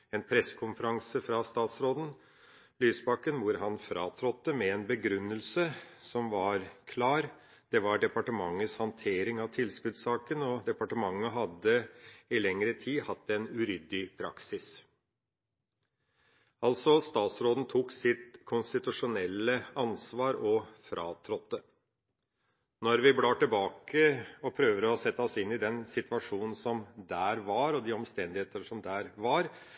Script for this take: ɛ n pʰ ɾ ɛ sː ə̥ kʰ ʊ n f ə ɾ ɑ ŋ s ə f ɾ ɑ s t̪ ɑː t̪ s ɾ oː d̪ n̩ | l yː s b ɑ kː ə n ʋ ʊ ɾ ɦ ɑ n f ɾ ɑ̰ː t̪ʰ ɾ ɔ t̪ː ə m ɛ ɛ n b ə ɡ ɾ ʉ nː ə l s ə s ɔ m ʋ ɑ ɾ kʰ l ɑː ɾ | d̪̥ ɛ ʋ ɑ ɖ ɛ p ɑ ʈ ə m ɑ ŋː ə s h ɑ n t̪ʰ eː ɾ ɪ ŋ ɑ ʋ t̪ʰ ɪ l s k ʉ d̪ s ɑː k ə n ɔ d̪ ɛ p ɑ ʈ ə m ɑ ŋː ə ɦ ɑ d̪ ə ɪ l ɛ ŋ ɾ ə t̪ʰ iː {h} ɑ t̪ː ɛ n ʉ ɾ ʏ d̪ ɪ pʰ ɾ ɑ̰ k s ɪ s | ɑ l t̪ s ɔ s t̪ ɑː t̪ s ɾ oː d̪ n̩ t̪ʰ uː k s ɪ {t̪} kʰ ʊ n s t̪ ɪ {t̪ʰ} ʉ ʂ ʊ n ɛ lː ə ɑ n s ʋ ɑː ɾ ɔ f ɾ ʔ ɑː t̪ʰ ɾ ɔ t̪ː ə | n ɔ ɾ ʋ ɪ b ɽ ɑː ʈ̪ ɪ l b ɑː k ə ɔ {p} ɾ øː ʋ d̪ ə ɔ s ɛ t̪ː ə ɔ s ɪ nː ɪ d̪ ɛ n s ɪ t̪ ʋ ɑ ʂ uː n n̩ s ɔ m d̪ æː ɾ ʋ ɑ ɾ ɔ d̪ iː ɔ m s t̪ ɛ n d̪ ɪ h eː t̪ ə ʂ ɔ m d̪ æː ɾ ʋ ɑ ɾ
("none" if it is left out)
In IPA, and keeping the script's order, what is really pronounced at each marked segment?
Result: h, t̪, t̪, pʰ

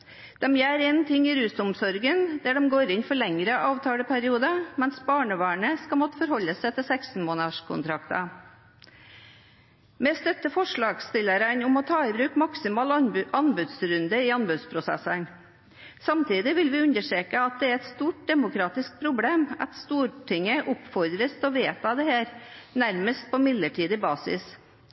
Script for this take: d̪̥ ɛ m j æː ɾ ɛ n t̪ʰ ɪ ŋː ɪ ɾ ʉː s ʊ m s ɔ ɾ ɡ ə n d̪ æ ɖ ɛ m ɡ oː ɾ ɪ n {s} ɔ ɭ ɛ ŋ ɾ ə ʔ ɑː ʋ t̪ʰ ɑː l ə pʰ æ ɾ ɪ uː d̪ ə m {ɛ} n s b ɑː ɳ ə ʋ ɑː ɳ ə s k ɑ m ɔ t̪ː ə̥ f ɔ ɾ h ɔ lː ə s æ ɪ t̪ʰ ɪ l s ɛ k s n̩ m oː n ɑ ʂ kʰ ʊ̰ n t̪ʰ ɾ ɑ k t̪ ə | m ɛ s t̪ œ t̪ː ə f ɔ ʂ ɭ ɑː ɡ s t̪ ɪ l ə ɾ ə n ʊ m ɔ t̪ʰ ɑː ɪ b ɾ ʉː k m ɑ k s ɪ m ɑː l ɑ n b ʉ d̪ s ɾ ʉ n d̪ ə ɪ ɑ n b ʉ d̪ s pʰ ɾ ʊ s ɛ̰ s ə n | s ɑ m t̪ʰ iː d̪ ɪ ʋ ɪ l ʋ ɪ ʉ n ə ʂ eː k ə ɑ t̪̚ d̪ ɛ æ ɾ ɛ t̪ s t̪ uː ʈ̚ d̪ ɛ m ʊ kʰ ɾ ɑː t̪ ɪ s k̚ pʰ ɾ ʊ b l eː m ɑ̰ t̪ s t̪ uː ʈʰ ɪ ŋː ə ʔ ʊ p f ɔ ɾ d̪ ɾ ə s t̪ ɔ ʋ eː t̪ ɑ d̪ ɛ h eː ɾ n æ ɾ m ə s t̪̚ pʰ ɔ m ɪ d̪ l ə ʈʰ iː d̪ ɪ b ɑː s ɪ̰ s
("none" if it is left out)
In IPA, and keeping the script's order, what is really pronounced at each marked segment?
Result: f, ɛ

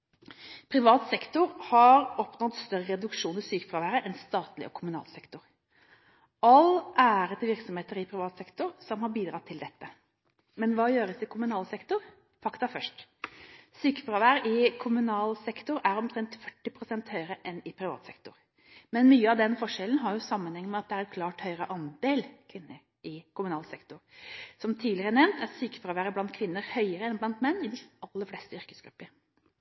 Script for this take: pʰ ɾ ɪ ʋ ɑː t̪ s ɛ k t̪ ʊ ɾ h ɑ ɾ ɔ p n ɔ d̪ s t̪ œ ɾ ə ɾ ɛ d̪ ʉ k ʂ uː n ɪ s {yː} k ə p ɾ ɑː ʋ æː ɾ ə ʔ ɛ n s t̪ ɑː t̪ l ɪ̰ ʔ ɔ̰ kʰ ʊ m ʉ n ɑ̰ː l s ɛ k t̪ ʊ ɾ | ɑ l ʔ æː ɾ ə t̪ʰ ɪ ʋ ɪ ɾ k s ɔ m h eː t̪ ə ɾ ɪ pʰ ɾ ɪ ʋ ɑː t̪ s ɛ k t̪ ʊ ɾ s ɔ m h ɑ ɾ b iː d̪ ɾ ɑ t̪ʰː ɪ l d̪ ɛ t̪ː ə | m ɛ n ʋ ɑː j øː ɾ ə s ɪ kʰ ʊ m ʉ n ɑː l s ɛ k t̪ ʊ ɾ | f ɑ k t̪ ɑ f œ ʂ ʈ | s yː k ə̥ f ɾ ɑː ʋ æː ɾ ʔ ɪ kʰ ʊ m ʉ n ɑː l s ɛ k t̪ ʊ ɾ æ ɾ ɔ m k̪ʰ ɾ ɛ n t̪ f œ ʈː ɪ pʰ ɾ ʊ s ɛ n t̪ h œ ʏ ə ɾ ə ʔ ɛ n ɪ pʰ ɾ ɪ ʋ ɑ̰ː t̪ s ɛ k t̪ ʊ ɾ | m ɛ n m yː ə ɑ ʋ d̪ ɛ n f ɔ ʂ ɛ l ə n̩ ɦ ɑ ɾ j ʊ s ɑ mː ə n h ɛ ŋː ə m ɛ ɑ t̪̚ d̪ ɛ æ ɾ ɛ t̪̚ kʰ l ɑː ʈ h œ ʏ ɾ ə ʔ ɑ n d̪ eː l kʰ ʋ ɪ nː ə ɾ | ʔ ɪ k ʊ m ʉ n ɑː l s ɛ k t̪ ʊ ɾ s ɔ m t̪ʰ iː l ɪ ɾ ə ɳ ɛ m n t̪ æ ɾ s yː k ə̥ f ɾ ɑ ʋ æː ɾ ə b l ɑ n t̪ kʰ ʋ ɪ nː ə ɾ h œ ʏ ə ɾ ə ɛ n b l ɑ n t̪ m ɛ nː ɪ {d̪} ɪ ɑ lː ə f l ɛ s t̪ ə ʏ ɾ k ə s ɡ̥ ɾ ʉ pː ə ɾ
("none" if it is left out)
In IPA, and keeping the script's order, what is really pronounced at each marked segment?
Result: yː, d̪

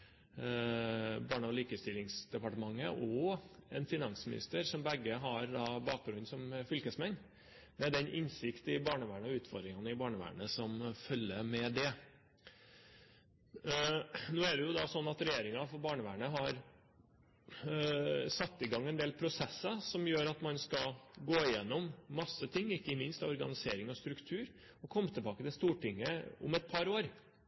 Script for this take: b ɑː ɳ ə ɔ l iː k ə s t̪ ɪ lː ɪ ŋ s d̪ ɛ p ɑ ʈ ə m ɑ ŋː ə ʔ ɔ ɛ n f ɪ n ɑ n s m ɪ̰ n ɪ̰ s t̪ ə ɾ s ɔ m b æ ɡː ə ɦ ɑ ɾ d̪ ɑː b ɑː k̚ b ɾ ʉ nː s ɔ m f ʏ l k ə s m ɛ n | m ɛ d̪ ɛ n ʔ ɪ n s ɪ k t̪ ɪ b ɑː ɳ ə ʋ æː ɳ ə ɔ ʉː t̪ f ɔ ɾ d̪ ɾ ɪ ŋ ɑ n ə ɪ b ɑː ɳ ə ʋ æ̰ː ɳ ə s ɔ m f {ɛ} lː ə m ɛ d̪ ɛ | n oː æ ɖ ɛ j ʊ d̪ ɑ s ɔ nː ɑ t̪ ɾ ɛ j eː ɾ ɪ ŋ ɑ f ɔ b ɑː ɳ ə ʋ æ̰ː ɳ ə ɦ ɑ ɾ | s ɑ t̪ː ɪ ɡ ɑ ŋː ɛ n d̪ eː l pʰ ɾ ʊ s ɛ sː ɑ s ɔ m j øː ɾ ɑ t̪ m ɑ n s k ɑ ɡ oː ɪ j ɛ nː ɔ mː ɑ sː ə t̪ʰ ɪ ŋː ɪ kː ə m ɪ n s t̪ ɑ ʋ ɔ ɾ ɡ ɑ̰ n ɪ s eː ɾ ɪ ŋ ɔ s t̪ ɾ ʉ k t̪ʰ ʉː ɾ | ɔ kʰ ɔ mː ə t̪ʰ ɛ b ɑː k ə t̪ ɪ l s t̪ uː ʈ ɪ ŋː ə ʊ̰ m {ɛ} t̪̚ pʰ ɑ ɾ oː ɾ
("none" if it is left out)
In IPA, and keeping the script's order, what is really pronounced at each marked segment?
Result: œ, ɛ

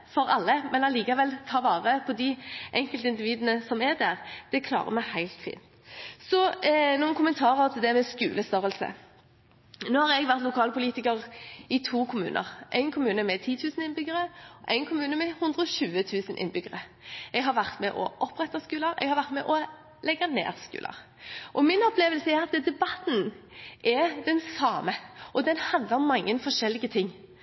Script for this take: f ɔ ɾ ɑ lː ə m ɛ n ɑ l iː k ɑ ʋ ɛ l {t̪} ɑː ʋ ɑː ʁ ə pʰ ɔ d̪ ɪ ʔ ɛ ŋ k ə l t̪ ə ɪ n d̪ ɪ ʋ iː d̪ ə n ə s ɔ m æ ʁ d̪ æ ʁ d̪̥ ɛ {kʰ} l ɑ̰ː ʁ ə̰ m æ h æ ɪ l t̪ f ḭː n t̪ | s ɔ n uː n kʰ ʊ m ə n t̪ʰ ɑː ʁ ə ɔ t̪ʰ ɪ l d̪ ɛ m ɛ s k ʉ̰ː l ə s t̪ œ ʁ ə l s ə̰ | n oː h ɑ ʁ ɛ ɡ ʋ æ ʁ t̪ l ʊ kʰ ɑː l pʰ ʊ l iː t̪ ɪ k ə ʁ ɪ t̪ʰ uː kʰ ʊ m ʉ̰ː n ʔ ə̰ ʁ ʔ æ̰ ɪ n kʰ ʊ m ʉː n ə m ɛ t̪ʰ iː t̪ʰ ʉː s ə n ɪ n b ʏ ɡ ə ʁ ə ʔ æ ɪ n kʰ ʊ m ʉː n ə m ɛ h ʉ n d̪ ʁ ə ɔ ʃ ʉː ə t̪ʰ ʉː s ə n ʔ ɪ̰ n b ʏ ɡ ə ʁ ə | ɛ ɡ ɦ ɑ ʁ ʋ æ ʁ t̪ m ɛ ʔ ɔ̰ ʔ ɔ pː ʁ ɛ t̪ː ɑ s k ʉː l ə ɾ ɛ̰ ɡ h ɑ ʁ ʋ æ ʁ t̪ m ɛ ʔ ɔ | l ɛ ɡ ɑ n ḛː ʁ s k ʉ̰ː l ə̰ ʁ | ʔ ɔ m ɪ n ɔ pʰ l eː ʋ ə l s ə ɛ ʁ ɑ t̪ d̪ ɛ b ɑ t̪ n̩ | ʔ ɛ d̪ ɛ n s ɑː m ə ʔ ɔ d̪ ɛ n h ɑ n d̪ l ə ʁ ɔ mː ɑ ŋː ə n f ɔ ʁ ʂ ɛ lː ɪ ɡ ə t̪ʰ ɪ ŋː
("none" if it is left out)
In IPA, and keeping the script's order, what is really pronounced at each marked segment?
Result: t̪ʰ, kʰ

